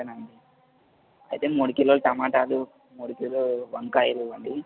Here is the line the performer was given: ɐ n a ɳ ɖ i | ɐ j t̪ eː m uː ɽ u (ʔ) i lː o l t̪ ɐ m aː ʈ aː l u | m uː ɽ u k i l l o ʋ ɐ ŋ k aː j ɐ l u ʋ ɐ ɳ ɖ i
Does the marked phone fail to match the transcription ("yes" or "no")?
yes